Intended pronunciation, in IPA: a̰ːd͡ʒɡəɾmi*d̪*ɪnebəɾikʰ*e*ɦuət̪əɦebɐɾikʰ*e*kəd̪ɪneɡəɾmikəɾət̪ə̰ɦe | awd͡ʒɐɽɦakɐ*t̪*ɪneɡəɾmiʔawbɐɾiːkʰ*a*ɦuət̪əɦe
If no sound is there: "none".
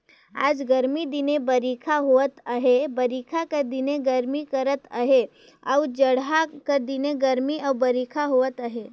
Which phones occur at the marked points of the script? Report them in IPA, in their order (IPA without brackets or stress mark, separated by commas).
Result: d̪, a, a, d̪, a